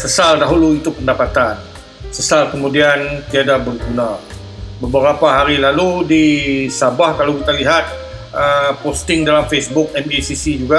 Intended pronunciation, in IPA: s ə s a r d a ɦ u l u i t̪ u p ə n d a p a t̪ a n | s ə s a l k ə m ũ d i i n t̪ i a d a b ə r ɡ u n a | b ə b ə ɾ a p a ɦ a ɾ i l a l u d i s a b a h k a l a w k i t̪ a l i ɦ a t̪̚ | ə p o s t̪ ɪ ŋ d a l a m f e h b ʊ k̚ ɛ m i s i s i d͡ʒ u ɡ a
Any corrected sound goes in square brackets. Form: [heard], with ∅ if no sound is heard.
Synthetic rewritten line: s ə s a [l] d a ɦ u l u i t̪ u p ə n d a p a t̪ a n | s ə s a l k ə m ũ d i [a] n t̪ i a d a b ə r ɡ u n a | b ə b ə ɾ a p a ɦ a ɾ i l a l u d i s a b a h k a l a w k i t̪ a l i ɦ a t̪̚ | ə p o s t̪ ɪ ŋ d a l a m f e [s] b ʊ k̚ ɛ m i s i s i d͡ʒ u ɡ a